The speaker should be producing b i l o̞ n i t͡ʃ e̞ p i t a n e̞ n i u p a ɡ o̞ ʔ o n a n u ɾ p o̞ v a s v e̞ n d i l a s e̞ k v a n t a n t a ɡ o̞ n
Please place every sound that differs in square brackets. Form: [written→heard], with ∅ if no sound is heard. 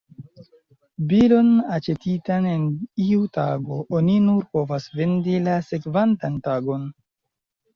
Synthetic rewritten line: b i l o̞ n [i→a] t͡ʃ e̞ [p→t] i t a n e̞ n i u [p→t] a ɡ o̞ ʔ o n [a→i] n u ɾ p o̞ v a s v e̞ n d i l a s e̞ k v a n t a n t a ɡ o̞ n